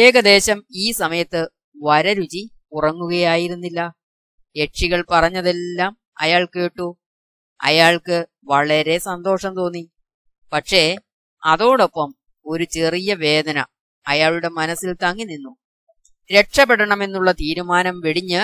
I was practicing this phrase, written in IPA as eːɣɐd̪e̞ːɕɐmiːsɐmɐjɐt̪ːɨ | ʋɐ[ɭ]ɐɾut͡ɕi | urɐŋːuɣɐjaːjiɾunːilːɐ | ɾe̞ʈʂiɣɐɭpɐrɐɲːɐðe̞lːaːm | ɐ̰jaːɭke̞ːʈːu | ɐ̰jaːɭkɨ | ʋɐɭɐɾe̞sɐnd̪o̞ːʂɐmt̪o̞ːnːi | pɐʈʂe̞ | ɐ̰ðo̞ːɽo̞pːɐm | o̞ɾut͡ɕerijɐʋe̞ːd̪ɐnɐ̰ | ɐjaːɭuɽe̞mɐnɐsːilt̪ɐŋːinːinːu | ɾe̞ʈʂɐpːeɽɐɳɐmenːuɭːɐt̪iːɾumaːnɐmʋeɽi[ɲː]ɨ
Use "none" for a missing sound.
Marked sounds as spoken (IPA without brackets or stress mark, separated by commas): ɾ, ɲː